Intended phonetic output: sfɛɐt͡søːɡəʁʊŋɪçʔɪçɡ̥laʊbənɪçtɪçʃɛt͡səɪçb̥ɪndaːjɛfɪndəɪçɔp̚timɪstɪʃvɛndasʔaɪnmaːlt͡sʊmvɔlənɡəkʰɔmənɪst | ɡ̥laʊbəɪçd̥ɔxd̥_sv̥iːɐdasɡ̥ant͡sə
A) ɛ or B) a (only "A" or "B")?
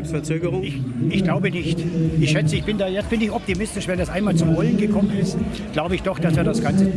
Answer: B